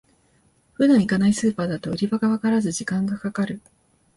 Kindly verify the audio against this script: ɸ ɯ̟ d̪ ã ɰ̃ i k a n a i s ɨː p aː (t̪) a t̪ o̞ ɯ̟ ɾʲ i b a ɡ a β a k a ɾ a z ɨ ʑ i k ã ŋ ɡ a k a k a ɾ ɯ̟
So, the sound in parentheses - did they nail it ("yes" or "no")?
no